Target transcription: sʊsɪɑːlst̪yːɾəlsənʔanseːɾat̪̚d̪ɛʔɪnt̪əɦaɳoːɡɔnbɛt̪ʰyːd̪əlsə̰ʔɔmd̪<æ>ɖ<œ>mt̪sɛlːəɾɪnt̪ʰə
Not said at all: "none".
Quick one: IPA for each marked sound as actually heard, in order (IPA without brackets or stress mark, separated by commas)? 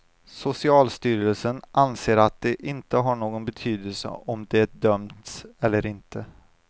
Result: ɛ, œ